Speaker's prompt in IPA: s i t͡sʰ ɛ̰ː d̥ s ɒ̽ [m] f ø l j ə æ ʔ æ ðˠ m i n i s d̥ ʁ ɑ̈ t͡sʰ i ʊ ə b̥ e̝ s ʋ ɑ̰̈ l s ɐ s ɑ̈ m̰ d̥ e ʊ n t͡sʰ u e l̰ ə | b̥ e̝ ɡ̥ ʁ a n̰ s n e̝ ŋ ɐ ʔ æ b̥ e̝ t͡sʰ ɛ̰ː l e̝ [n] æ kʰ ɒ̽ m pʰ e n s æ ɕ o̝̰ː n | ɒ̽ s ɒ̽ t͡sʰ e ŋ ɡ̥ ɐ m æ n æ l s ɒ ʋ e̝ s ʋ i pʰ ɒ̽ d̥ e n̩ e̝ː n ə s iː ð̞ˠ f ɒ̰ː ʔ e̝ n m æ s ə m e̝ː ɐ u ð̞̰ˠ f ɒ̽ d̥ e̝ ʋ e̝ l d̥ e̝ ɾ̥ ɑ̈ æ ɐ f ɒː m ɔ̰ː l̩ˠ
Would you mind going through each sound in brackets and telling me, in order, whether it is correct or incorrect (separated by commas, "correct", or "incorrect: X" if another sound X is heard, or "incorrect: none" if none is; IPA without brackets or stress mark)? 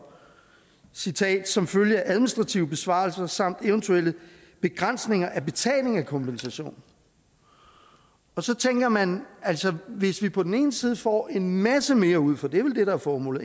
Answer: correct, incorrect: ŋ